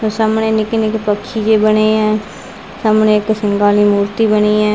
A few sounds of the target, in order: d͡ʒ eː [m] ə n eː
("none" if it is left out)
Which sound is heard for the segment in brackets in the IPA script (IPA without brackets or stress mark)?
b